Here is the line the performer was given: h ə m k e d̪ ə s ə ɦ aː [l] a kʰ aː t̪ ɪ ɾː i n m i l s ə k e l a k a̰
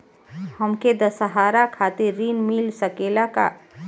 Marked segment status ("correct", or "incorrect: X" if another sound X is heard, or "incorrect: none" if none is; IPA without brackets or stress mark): incorrect: ɾ